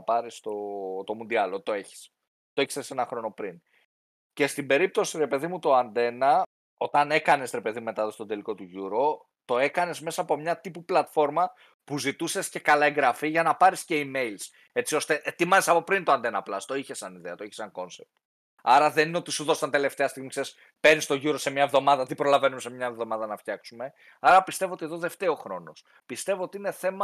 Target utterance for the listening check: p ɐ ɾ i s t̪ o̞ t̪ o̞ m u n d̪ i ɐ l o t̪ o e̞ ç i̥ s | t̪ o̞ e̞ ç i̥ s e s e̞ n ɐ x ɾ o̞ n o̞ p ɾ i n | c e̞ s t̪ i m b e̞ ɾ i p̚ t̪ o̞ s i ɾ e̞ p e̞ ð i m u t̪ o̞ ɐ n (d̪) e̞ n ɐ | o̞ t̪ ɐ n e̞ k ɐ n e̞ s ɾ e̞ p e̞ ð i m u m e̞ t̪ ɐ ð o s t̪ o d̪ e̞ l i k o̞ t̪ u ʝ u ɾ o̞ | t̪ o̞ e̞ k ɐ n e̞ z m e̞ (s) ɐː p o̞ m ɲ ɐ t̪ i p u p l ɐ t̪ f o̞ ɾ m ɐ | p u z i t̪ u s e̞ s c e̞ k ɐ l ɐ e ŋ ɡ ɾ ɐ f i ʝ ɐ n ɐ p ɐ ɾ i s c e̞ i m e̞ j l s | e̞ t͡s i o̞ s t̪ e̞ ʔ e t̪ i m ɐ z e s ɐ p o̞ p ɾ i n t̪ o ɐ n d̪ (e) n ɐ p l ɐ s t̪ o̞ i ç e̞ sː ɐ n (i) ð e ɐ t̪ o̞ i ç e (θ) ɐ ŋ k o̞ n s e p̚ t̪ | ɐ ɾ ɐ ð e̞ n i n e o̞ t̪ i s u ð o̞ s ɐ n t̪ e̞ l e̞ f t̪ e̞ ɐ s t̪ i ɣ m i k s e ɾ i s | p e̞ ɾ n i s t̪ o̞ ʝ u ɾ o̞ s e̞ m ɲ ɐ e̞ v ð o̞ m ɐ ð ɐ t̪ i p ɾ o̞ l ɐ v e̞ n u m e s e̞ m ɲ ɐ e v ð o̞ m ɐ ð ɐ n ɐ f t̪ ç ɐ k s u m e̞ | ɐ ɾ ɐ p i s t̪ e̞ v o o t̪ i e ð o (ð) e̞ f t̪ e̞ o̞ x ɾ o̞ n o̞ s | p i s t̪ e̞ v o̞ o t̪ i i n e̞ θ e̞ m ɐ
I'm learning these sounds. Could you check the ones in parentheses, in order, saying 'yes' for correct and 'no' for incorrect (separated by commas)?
yes, yes, yes, yes, no, yes